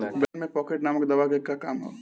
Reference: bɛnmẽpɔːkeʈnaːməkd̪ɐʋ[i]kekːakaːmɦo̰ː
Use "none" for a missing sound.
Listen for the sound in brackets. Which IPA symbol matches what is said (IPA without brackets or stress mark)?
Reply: a